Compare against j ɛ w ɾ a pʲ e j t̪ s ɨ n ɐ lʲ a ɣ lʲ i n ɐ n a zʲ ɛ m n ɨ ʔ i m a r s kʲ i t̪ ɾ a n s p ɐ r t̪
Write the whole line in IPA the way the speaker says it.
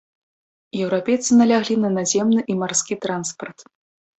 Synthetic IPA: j ɛ w ɾ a pʲ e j t̪ s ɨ n ɐ lʲ a ɣ lʲ i n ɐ n a zʲ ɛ m n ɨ ʔ i m a r s kʲ i t̪ ɾ a n s p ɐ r t̪